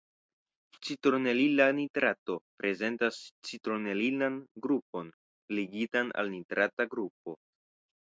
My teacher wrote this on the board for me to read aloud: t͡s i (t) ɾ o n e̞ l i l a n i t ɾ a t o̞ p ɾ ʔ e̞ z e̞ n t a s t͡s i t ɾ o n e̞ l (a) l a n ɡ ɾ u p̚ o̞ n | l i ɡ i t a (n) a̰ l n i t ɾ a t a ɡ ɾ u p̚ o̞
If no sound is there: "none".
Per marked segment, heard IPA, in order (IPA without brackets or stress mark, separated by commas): t, i, n